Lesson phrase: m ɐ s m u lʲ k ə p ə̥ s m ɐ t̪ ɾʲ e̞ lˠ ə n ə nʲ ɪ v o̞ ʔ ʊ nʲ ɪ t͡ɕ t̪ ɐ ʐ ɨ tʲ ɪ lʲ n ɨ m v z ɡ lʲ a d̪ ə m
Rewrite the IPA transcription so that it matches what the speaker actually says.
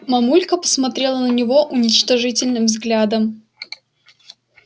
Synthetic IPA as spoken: m ɐ m u lʲ k ə p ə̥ s m ɐ t̪ ɾʲ e̞ lˠ ə n ə nʲ ɪ v o̞ ʔ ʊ nʲ ɪ t͡ɕ t̪ ɐ ʐ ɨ tʲ ɪ lʲ n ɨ m v z ɡ lʲ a d̪ ə m